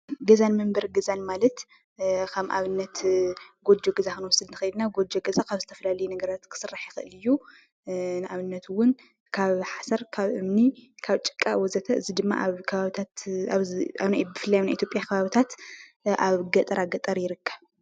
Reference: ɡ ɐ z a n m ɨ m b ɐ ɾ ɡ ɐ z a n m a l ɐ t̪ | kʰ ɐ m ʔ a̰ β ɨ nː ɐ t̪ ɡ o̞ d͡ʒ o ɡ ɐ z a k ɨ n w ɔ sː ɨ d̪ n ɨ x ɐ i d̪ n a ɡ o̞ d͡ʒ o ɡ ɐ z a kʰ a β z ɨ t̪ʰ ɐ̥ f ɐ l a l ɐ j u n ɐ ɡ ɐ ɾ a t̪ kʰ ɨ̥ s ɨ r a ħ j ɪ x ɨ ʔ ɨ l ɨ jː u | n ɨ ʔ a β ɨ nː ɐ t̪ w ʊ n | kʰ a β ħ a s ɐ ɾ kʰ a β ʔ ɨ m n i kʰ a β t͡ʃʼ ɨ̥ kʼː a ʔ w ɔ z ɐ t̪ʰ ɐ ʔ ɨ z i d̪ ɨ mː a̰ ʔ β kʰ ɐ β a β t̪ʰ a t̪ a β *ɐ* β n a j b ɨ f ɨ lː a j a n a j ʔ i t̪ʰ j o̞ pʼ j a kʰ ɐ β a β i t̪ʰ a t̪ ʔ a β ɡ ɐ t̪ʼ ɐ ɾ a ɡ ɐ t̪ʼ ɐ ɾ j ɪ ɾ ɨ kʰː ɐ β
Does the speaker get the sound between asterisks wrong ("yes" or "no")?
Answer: yes